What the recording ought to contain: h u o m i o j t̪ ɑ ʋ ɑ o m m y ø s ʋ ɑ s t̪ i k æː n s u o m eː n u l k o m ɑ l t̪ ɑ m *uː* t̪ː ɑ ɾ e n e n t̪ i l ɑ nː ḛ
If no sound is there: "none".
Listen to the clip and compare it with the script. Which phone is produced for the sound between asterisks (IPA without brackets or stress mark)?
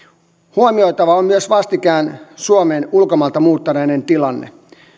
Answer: uː